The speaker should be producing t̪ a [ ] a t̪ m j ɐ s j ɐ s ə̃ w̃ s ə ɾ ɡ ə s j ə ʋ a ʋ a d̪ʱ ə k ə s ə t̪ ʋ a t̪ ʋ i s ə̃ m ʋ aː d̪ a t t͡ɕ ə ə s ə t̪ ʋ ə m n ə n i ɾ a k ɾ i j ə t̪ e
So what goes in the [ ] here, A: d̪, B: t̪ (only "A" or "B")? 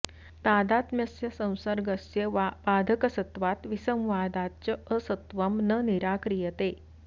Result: A